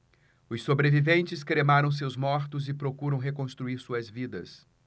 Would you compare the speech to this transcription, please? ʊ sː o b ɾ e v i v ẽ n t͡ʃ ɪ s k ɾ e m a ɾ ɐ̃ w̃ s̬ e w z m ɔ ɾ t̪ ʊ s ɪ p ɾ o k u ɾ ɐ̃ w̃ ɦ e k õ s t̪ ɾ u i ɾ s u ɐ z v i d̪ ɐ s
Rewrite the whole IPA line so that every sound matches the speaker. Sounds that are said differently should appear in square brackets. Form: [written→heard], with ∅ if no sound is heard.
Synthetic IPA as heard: ʊ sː o b ɾ e v i v ẽ n t͡ʃ ɪ s k ɾ e m a ɾ ɐ̃ w̃ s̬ e w z m ɔ ɾ t̪ ʊ [s→z] ɪ p ɾ o k u ɾ ɐ̃ w̃ ɦ e k õ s t̪ ɾ u i ɾ s u ɐ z v i d̪ ɐ s

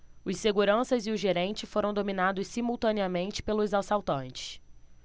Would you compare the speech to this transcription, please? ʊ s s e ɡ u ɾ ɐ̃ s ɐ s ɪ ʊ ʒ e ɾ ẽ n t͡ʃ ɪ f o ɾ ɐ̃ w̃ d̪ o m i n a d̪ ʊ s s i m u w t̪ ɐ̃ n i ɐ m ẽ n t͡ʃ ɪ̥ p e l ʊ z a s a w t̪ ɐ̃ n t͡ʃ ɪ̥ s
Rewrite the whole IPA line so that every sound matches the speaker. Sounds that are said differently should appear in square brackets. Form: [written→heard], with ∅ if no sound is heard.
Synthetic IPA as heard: ʊ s s e ɡ u ɾ ɐ̃ s ɐ [s→z] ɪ ʊ ʒ e ɾ ẽ n t͡ʃ ɪ f o ɾ ɐ̃ w̃ d̪ o m i n a d̪ ʊ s s i m u w t̪ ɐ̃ n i ɐ m ẽ n t͡ʃ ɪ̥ p e l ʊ z a s a w t̪ ɐ̃ n t͡ʃ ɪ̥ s

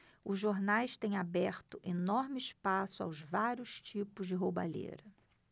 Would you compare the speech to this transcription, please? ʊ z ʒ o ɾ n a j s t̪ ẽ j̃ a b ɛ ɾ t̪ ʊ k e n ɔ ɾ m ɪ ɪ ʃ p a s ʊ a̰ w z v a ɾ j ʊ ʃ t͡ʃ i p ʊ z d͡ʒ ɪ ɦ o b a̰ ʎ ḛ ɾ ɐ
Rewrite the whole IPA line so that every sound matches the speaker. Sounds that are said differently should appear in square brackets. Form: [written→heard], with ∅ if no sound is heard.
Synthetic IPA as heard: ʊ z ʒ o ɾ n a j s t̪ ẽ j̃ a b ɛ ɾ t̪ ʊ [k→ʔ] e n ɔ ɾ m ɪ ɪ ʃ p a s ʊ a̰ w z v a ɾ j ʊ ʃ t͡ʃ i p ʊ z d͡ʒ ɪ ɦ o b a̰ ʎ ḛ ɾ ɐ

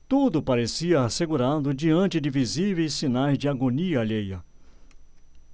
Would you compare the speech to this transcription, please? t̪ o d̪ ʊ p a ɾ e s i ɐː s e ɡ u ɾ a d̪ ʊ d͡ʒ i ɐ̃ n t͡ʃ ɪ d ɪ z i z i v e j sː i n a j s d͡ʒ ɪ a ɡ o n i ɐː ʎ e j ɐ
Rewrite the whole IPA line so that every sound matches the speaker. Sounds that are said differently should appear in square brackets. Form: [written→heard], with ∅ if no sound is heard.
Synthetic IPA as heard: t̪ [o→u] d̪ ʊ p a ɾ e s i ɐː s e ɡ u ɾ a d̪ ʊ d͡ʒ i ɐ̃ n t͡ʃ ɪ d ɪ [z→v] i z i v e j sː i n a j [s→z] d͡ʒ ɪ a ɡ o n i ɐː ʎ e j ɐ

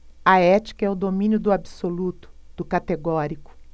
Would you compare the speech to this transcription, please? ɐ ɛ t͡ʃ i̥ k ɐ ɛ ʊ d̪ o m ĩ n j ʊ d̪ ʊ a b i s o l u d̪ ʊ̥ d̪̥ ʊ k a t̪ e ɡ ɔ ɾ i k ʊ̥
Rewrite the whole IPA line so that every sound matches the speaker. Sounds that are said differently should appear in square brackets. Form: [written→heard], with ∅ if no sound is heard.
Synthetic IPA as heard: ɐ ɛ t͡ʃ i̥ k ɐ ɛ ʊ d̪ o m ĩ n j ʊ d̪ ʊ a b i s o l u [d̪→t̪] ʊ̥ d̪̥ ʊ k a t̪ e ɡ ɔ ɾ i k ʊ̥

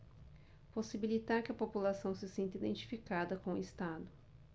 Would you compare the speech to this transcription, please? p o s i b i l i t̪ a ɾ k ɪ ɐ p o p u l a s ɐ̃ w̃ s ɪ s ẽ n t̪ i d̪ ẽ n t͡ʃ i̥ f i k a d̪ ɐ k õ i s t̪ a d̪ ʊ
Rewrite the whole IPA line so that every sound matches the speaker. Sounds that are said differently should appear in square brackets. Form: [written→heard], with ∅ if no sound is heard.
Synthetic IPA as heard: p o s i b i l i t̪ a ɾ k ɪ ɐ p o p u l a s ɐ̃ w̃ s ɪ s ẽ n t̪ i d̪ ẽ n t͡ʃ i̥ f i k a d̪ ɐ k õ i s t̪ a d̪ ʊ

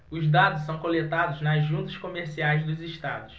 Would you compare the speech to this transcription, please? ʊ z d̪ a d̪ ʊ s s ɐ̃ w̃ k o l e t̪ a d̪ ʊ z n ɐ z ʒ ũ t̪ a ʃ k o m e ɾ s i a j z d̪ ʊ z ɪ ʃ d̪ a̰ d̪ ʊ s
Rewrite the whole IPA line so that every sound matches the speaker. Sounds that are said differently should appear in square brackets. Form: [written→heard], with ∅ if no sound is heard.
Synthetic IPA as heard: ʊ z d̪ a d̪ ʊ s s ɐ̃ w̃ k o l e t̪ a d̪ ʊ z n ɐ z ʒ ũ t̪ [a→ɐ] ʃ k o m e ɾ s i a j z d̪ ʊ z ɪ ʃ [d̪→t̪] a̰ d̪ ʊ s

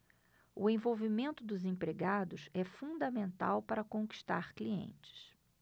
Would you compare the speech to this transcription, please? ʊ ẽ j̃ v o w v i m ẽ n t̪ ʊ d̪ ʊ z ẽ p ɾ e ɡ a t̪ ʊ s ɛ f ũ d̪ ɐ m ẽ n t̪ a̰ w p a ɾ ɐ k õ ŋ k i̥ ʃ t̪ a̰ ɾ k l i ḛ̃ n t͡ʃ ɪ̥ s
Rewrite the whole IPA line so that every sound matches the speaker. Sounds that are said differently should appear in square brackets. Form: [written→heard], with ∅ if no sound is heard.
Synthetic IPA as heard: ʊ ẽ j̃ v o w v i m ẽ n t̪ ʊ d̪ ʊ z ẽ p ɾ e ɡ a [t̪→d̪] ʊ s ɛ f ũ d̪ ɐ m ẽ n t̪ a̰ w p a ɾ ɐ k õ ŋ k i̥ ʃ t̪ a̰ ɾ k l i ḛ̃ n t͡ʃ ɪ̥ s

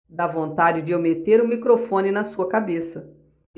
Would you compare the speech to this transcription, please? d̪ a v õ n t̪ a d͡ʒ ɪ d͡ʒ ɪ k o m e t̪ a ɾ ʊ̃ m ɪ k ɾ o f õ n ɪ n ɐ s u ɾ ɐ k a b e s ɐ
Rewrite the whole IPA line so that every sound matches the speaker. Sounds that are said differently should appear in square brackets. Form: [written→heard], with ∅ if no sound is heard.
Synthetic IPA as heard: d̪ a v õ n t̪ a d͡ʒ ɪ d͡ʒ ɪ [k→∅] o m e t̪ [a→e] ɾ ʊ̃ m [ɪ→i] k ɾ o f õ n ɪ n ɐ s u [ɾ→∅] ɐ k a b e s ɐ

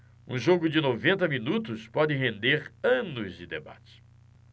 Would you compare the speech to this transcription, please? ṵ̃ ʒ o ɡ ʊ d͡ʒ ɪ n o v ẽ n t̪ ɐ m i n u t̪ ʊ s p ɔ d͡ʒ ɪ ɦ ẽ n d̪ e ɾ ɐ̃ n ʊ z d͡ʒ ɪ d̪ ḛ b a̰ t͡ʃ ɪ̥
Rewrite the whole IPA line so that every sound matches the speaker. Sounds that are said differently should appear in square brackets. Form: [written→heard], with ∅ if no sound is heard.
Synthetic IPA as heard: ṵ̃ ʒ o ɡ ʊ d͡ʒ ɪ n o v ẽ n t̪ ɐ m i n u t̪ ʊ s p ɔ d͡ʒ ɪ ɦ ẽ n d̪ e ɾ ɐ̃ n ʊ z d͡ʒ ɪ d̪ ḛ b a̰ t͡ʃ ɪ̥

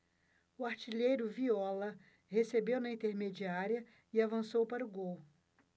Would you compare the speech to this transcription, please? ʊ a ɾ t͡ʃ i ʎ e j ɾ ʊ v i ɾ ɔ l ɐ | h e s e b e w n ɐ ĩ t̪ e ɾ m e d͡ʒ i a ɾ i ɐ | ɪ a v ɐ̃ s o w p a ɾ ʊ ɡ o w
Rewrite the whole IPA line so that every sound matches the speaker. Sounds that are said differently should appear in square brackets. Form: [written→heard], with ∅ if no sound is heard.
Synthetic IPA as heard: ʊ a ɾ t͡ʃ i ʎ e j ɾ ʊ v i [ɾ→∅] ɔ l ɐ | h e s e b e w n ɐ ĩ t̪ e ɾ m e d͡ʒ i a ɾ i ɐ | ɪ a v ɐ̃ s o w p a ɾ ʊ ɡ o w

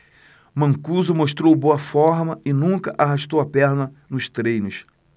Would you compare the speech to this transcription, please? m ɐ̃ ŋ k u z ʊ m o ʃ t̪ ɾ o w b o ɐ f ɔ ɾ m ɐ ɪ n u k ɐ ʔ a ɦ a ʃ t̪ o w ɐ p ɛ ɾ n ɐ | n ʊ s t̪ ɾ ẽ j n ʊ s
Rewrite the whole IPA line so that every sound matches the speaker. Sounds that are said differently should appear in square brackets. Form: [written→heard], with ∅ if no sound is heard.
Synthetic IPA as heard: m ɐ̃ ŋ k u z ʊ m o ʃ t̪ ɾ o w b o ɐ f ɔ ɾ m ɐ ɪ n [u→ũ] k ɐ ʔ a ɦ a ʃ t̪ o w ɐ p ɛ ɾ n ɐ | n ʊ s t̪ ɾ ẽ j n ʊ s

